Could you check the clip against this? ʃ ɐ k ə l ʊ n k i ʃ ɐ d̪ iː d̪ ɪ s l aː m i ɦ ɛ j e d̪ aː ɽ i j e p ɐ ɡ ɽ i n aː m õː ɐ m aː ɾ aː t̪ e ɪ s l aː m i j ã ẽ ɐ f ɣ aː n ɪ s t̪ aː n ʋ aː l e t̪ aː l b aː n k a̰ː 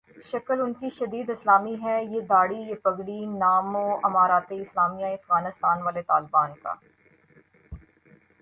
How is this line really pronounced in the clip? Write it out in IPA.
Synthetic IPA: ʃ ɐ k ə l ʊ n k i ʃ ɐ d̪ iː d̪ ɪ s l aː m i ɦ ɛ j e d̪ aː ɽ i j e p ɐ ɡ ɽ i n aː m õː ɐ m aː ɾ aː t̪ e ɪ s l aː m i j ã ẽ ɐ f ɣ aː n ɪ s t̪ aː n ʋ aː l e t̪ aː l b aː n k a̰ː